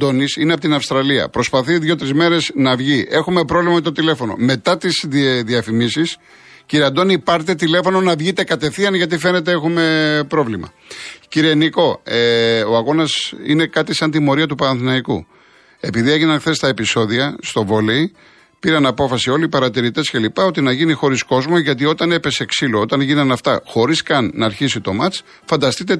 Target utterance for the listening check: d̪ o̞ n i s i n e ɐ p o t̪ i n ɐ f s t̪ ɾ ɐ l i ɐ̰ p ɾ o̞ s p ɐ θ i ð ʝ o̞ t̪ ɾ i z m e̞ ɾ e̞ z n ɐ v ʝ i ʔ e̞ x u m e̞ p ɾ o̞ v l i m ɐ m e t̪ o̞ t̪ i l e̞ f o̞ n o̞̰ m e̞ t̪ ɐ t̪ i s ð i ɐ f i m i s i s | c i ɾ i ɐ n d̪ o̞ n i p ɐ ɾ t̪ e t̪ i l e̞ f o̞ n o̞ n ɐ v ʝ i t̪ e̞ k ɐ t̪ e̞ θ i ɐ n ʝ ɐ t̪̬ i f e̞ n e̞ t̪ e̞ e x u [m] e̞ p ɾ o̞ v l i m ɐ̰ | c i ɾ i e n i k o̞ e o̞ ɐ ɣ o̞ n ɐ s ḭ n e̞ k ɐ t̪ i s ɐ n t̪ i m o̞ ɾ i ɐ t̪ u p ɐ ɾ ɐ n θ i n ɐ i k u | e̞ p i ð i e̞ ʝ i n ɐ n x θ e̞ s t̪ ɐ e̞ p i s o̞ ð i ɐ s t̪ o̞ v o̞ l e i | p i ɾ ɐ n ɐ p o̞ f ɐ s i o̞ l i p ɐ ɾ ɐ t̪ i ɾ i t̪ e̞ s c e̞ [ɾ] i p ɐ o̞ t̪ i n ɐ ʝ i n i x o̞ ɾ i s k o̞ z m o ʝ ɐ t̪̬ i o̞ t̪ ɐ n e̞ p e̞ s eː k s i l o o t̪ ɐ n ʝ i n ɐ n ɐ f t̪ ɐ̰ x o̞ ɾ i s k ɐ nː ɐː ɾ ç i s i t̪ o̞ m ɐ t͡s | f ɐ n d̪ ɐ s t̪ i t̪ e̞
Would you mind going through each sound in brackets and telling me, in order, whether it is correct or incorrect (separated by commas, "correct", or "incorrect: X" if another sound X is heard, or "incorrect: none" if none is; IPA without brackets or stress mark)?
correct, incorrect: l